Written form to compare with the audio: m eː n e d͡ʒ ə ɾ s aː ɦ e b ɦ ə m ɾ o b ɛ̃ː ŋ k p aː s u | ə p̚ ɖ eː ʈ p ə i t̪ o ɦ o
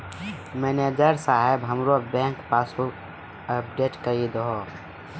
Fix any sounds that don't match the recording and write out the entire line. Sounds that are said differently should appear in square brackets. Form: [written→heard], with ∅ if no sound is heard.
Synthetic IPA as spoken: m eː n e d͡ʒ ə ɾ s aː ɦ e b ɦ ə m ɾ o b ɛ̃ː ŋ k p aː s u | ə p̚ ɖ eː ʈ [p→k] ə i [t̪→d̪] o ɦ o